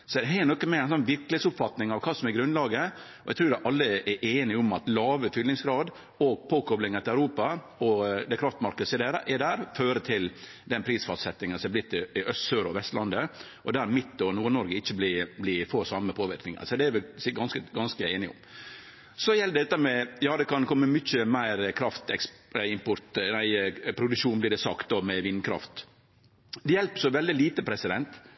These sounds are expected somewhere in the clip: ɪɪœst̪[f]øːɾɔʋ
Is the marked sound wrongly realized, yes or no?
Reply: yes